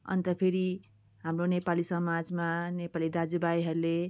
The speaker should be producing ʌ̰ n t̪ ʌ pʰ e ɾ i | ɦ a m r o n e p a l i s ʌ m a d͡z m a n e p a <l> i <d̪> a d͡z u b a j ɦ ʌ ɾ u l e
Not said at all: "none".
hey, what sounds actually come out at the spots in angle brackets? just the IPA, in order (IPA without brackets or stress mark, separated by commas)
l, d̪